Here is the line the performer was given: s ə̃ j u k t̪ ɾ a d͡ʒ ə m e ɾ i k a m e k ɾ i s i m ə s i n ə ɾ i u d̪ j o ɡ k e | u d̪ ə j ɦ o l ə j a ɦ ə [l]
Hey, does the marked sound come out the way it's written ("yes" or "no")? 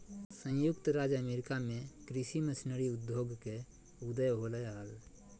yes